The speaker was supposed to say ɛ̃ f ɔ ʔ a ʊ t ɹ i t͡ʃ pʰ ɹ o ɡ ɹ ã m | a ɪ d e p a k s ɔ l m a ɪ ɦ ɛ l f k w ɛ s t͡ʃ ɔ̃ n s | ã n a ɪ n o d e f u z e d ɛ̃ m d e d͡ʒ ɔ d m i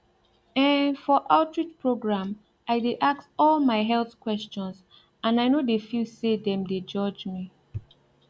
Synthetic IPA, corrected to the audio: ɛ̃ f ɔ ʔ a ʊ t ɹ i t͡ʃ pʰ ɹ o ɡ ɹ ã m | a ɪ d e ʔ a k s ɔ l m a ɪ ɦ ɛ l θ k w ɛ s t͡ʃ ɔ̃ n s | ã n a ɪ n o d e f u s e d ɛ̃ m d e d͡ʒ ɔ d͡ʒ m i